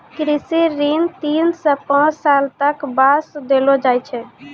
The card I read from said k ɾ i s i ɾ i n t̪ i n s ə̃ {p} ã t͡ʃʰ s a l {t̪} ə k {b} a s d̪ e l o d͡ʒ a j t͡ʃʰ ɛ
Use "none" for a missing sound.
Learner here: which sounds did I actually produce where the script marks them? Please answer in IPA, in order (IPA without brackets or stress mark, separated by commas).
p, t̪, b